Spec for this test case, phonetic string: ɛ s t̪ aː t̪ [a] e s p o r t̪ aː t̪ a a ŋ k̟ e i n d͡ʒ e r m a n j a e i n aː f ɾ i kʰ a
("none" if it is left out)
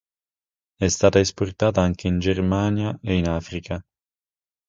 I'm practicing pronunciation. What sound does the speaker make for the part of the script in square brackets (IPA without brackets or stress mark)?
a